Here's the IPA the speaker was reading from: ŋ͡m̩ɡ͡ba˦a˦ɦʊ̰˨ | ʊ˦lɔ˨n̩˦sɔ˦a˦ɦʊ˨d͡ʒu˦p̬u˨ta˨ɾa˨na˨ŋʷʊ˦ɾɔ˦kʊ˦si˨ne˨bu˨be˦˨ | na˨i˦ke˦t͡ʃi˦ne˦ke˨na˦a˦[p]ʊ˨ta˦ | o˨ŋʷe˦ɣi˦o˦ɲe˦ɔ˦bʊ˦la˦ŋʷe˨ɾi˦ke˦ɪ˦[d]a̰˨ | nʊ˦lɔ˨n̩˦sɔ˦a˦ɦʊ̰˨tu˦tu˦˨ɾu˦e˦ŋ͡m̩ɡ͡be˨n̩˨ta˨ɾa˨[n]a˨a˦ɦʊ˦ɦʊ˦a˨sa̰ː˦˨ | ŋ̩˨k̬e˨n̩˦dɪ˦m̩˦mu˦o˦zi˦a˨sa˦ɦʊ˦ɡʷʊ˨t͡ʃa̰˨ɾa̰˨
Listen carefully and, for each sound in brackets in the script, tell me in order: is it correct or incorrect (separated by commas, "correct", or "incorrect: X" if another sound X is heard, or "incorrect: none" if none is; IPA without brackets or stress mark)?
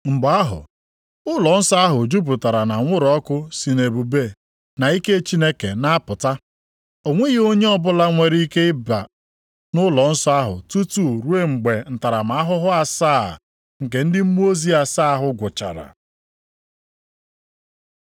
correct, incorrect: b, incorrect: m